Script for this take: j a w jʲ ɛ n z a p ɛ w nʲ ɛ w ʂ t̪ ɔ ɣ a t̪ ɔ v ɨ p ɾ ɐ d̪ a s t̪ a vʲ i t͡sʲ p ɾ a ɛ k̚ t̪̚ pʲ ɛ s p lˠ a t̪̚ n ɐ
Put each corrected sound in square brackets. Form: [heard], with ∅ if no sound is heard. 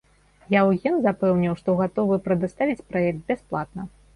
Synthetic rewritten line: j a w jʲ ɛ n z a p ɛ w nʲ [i] w ʂ t̪ ɔ ɣ a t̪ ɔ v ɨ p ɾ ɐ d̪ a s t̪ a vʲ i t͡sʲ p ɾ a ɛ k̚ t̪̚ [bʲ] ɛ s p lˠ a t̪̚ n ɐ